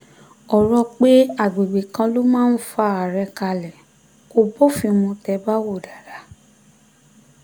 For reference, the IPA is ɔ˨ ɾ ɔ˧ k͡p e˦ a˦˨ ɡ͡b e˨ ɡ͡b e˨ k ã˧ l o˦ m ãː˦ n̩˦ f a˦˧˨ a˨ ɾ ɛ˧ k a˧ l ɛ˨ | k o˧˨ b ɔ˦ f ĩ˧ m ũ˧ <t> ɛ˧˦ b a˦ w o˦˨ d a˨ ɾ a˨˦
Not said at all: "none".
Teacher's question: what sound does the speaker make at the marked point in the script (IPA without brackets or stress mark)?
t